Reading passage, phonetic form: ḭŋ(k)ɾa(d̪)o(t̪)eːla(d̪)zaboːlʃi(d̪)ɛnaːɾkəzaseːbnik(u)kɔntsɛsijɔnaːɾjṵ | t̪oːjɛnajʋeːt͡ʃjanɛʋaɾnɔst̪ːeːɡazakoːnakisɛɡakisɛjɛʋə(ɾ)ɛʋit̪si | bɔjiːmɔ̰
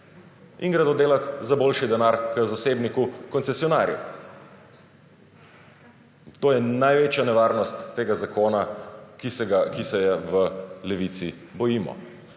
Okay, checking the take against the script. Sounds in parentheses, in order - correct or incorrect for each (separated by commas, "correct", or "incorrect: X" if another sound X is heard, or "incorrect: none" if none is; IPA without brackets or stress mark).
incorrect: ɡ, correct, incorrect: d̪, incorrect: t̪, correct, correct, incorrect: l